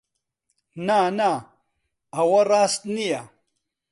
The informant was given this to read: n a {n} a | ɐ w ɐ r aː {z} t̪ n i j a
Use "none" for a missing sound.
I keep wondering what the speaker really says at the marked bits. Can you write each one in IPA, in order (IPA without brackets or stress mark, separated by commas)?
n, s